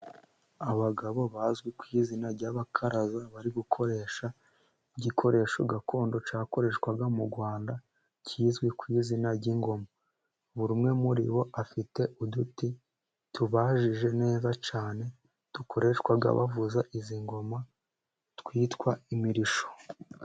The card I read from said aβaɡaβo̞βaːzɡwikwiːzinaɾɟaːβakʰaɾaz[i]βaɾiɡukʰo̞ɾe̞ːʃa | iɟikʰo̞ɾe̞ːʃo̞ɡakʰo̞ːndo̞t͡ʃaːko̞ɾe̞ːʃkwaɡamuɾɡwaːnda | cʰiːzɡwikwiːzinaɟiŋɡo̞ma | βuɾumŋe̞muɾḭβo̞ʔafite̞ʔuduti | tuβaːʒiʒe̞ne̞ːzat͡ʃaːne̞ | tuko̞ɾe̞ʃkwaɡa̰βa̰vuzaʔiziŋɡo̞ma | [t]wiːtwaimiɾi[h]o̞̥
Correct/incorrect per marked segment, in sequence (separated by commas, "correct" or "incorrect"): incorrect, correct, incorrect